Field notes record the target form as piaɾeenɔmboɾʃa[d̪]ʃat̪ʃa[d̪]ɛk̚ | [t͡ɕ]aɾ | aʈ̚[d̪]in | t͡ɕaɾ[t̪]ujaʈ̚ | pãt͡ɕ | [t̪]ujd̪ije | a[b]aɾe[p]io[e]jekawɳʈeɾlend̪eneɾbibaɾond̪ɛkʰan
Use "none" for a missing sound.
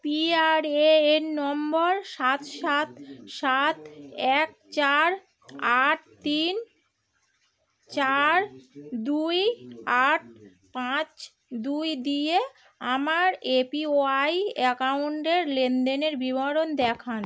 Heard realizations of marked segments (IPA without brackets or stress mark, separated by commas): t̪, t̪, t͡ɕ, t̪, d̪, d̪, m, p, a